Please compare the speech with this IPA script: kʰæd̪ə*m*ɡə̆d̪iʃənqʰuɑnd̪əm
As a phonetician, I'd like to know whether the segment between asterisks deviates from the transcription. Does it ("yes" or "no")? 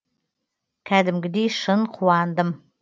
no